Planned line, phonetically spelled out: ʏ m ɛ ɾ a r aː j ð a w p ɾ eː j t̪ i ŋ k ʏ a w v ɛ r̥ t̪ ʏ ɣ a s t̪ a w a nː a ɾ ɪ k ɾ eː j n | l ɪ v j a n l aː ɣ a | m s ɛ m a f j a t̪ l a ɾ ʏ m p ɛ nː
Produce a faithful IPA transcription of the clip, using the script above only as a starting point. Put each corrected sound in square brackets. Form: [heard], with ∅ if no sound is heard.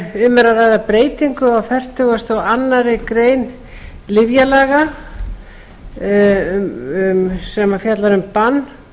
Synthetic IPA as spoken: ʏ m ɛ ɾ a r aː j ð a [∅] p ɾ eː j t̪ i ŋ k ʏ a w [f] ɛ r̥ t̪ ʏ ɣ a s t̪ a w a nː a ɾ ɪ k ɾ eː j n | l ɪ v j a [∅] l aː ɣ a | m s ɛ m a f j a t̪ l a ɾ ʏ m p [a] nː